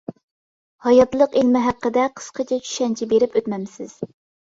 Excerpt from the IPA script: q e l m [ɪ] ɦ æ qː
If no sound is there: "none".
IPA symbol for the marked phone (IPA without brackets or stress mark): ɪ